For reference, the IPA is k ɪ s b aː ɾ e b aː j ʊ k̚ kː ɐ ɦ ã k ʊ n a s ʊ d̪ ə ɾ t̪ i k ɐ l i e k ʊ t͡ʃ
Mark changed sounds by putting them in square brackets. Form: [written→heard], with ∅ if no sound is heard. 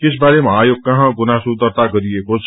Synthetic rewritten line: k ɪ s b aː ɾ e [b→m] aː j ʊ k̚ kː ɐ ɦ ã [k→ɡ] ʊ n a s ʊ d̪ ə ɾ t̪ [i→a] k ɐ [l→ɾ] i e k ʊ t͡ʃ

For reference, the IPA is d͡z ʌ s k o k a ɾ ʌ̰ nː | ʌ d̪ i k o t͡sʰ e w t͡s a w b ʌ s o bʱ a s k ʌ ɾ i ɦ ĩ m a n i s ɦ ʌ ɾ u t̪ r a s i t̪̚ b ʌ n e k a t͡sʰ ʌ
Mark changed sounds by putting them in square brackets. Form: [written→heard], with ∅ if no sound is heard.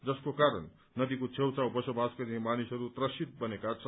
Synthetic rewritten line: d͡z ʌ s k o k a ɾ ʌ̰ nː | ʌ d̪ i k o t͡sʰ e w t͡s a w b ʌ s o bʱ a s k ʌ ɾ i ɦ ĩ m a n i s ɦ ʌ ɾ u t̪ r [a→ʌ] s i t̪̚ b ʌ n e k a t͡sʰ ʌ

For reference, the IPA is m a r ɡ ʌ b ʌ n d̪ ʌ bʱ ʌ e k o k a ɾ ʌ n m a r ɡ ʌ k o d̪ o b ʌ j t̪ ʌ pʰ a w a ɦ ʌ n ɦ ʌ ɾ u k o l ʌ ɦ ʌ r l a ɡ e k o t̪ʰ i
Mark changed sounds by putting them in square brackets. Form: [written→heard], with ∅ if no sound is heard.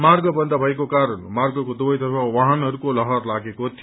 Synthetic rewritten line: m a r ɡ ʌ b ʌ n d̪ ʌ bʱ ʌ e k o k a ɾ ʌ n m a r ɡ ʌ k o d̪ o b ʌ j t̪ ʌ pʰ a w a ɦ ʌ n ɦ ʌ ɾ u k o l ʌ ɦ ʌ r l a ɡ e k o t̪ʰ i

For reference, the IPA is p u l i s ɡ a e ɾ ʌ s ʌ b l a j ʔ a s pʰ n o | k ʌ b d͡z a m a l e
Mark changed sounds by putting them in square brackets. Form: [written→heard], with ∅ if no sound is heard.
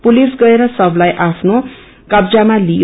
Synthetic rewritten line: p u l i s ɡ [a→ʌ] e ɾ ʌ s ʌ b l a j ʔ a [s→∅] pʰ n o | k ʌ b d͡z a m a l [e→i]

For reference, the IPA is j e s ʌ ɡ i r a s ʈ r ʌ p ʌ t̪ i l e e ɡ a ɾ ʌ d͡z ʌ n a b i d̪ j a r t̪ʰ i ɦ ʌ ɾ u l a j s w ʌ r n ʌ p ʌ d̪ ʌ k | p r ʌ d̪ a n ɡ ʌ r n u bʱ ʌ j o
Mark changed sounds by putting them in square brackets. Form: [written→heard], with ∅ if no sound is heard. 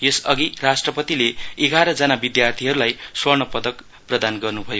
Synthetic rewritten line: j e s ʌ ɡ i r a s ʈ r ʌ p ʌ t̪ i l e e ɡ a ɾ ʌ d͡z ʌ n a b i d̪ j a r t̪ʰ i ɦ ʌ ɾ u l a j s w ʌ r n ʌ p ʌ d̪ ʌ k | p r ʌ d̪ a n ɡ ʌ r n u bʱ ʌ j o

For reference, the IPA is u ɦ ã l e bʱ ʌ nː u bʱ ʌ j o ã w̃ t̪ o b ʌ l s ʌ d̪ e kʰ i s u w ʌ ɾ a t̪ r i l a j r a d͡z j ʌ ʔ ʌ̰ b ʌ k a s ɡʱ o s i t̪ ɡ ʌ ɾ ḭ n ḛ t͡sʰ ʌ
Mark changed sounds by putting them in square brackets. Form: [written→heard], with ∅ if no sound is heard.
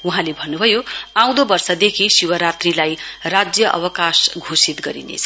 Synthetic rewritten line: u ɦ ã l e bʱ ʌ nː u bʱ ʌ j o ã w̃ [t̪→d̪] o b ʌ [l→r] s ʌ d̪ e kʰ i s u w ʌ ɾ a t̪ r i l a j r a d͡z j ʌ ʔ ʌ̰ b ʌ k a s ɡʱ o s i t̪ ɡ ʌ ɾ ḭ n ḛ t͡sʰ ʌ

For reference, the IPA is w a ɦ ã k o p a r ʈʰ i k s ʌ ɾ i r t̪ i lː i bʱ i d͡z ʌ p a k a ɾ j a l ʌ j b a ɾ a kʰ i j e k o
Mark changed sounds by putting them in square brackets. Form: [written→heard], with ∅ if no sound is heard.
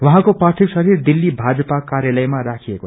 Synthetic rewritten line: w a ɦ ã k o p a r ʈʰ i k s ʌ ɾ i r [t̪→d̪] i lː i bʱ [i→a] d͡z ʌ p a k a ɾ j a l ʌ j [b→m] a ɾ a kʰ i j e k o

